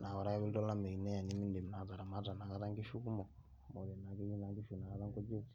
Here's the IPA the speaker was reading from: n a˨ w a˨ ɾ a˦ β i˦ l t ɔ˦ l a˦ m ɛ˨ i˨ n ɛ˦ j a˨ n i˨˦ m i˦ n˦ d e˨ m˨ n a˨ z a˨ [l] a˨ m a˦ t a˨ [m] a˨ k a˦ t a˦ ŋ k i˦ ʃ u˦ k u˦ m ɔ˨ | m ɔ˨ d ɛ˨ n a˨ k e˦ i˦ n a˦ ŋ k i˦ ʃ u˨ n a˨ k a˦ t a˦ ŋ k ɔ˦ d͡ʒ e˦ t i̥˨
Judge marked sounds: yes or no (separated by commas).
no, no